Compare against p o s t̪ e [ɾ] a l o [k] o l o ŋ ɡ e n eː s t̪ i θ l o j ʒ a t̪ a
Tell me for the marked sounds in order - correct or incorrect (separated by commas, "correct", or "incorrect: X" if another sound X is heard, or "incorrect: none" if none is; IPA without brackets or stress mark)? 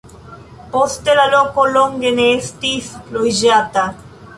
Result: incorrect: l, correct